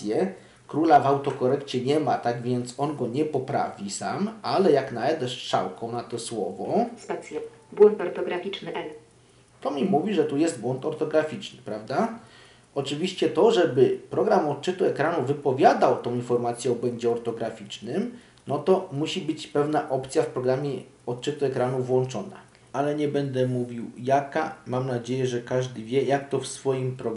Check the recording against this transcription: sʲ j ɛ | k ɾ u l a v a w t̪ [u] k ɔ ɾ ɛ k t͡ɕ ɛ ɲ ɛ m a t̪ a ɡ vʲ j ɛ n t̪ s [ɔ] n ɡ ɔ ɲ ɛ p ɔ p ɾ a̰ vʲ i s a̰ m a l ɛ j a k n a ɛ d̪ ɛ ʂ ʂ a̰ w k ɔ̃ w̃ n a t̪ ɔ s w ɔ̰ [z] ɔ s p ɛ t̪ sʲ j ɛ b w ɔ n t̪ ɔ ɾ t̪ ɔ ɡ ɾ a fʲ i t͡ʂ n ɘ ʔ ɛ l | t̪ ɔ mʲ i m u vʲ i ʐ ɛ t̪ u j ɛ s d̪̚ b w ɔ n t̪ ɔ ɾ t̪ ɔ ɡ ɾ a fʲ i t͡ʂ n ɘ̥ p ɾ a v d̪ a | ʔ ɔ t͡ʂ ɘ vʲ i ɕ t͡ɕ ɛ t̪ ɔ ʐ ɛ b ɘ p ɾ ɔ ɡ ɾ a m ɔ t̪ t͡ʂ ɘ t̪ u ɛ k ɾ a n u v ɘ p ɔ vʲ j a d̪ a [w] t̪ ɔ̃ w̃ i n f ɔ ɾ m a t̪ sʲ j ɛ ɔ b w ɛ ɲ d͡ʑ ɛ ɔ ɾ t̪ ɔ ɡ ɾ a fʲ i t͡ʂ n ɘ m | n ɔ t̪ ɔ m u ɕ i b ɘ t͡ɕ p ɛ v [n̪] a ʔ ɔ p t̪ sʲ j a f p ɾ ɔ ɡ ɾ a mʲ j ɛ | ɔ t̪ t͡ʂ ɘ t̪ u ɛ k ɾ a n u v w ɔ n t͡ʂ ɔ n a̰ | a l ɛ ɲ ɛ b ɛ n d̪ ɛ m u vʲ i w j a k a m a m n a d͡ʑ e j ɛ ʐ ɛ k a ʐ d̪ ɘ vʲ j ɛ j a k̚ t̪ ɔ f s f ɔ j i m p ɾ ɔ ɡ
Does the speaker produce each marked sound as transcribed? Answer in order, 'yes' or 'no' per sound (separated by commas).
no, yes, no, yes, yes